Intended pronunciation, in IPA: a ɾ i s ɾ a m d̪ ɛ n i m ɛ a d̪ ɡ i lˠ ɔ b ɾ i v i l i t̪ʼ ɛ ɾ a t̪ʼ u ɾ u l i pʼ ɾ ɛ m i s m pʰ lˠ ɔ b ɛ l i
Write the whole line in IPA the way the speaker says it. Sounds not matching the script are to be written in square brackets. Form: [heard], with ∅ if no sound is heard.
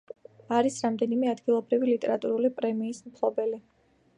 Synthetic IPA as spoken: a ɾ i s ɾ a m d̪ ɛ n i m ɛ a d̪ ɡ i lˠ ɔ b ɾ i v i l i t̪ʼ ɛ ɾ a t̪ʼ u ɾ u l i pʼ ɾ ɛ m [iː] s m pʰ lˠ ɔ b ɛ l i